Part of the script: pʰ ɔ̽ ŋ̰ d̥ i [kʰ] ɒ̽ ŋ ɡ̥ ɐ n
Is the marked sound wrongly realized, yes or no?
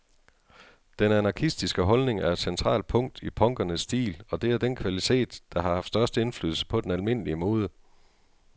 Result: yes